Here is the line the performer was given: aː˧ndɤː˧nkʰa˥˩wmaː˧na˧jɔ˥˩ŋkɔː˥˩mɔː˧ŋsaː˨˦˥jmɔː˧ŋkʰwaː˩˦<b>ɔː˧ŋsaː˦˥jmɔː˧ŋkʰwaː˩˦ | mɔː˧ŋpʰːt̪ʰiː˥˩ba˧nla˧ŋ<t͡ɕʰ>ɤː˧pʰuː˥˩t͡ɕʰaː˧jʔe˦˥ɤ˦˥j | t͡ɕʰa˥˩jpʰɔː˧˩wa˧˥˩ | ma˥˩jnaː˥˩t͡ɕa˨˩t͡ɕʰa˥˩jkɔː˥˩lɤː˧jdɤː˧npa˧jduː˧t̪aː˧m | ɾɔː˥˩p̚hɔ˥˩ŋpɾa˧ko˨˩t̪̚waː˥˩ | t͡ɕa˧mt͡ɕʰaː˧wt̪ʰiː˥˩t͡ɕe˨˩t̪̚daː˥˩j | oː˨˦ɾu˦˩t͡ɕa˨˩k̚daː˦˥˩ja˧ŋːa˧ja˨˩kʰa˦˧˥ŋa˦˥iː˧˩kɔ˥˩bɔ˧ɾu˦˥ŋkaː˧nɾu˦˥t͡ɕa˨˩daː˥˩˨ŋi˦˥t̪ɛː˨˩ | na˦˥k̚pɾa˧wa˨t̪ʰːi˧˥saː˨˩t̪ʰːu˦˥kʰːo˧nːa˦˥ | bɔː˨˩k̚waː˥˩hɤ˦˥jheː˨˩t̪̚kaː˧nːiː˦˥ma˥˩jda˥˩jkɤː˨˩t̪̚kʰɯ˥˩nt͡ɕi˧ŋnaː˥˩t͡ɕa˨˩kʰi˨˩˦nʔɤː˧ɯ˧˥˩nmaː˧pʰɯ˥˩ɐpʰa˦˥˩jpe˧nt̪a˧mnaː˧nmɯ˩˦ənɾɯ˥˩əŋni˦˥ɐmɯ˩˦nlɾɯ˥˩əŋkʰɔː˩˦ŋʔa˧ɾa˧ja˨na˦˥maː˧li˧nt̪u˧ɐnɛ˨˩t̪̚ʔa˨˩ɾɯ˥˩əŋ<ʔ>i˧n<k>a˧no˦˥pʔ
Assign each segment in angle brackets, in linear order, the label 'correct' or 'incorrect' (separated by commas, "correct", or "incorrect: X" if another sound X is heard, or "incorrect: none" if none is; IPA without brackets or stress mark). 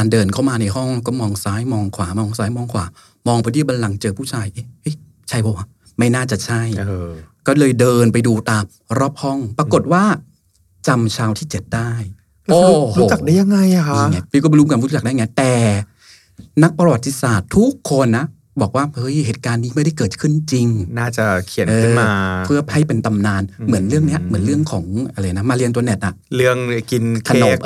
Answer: incorrect: m, incorrect: t͡ɕ, incorrect: k, incorrect: kʰ